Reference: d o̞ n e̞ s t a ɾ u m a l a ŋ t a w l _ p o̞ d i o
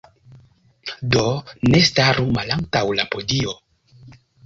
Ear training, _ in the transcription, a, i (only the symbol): a